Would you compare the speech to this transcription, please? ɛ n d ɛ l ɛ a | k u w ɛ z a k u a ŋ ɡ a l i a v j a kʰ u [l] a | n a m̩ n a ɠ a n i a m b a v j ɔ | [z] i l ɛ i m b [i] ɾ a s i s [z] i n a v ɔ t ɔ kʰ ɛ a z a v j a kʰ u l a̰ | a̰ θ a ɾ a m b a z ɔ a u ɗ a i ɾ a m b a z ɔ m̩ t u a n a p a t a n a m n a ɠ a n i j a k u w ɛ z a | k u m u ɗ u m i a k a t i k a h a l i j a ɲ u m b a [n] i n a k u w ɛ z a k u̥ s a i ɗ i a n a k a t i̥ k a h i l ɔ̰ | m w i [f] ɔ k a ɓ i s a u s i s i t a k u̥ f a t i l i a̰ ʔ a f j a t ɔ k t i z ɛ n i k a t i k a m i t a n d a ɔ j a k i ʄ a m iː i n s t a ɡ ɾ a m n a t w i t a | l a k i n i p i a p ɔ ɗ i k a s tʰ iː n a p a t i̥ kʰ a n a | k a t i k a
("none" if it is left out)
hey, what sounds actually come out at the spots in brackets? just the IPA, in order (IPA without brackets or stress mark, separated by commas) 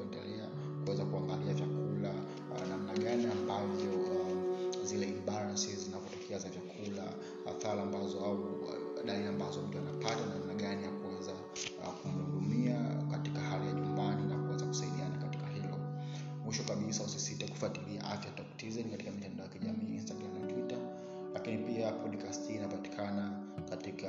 l, z, a, z, n, ʃ